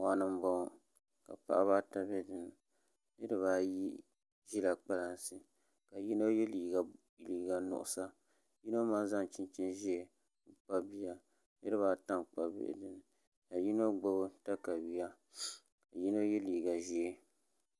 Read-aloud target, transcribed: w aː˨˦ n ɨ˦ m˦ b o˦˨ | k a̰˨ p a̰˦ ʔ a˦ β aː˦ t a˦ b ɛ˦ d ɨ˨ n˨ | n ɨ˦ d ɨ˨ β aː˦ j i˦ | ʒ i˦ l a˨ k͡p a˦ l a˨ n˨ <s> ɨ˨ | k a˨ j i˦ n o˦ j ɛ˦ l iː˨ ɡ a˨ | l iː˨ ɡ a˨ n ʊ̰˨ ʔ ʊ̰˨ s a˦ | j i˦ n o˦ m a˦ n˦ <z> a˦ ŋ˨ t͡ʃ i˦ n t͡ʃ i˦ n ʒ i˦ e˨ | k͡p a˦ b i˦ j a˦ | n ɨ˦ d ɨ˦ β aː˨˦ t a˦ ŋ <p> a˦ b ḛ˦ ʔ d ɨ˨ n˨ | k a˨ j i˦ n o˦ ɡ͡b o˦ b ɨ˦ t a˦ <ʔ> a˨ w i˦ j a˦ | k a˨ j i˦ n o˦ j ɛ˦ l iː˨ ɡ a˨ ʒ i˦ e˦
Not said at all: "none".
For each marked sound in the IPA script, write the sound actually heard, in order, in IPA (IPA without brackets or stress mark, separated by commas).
s, z, k͡p, k